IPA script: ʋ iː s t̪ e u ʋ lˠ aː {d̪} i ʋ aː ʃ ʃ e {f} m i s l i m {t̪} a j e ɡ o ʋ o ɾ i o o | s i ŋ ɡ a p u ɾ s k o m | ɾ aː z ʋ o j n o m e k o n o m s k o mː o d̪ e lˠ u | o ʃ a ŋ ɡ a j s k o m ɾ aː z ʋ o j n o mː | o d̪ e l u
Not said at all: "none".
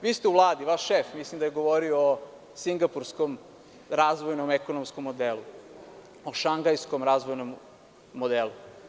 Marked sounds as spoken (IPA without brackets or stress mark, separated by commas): d̪, f, d̪